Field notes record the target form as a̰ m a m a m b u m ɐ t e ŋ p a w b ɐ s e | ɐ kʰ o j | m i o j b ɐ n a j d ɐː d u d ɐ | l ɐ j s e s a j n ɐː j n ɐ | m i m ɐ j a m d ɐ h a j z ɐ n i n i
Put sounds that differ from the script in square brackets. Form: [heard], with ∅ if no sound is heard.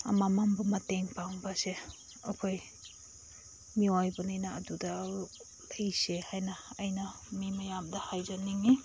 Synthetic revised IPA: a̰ m a m a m b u m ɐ t e ŋ p a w b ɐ s e | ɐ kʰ o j | m i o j b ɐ n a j [n] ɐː d u d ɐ | l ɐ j s e [h] a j n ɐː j n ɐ | m i m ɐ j a m d ɐ h a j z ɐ n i [ŋ] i